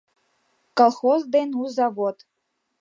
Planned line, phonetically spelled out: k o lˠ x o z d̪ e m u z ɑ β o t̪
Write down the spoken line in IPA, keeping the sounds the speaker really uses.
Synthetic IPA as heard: k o lˠ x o z d̪ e n u z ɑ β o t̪